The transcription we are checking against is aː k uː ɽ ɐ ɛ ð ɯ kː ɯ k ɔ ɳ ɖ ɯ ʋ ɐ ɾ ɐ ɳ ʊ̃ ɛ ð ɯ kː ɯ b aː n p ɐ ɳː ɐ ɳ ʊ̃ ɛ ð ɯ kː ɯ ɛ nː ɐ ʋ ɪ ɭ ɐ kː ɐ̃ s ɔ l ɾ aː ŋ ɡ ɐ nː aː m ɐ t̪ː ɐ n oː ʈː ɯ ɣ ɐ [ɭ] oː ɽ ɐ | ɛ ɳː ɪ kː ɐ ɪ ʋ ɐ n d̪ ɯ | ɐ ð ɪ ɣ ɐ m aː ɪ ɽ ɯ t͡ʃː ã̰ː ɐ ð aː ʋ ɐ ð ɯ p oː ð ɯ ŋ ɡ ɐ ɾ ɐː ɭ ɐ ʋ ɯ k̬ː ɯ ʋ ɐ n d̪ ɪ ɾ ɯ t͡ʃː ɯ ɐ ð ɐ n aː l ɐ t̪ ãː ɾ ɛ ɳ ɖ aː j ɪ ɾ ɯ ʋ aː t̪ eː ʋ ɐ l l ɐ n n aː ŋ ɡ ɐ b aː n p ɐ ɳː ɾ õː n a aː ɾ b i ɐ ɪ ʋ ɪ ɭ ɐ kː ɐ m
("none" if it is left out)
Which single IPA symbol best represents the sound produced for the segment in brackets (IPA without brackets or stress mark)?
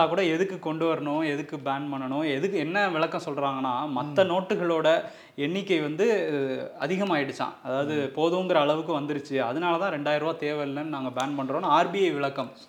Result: ɭ